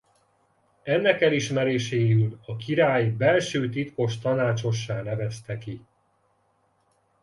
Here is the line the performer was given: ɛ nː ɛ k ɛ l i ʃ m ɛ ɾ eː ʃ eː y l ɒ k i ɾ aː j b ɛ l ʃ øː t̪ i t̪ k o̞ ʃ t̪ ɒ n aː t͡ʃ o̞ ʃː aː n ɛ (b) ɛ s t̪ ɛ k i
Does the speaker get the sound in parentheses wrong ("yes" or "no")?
yes